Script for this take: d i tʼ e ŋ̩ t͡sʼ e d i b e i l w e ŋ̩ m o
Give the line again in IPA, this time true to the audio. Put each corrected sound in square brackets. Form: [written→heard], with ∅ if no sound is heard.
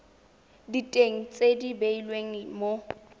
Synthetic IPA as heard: d i tʼ e ŋ̩ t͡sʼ e d i b e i l w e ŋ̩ m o